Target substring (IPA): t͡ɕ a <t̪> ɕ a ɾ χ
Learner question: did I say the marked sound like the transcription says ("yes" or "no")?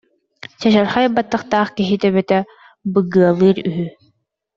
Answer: no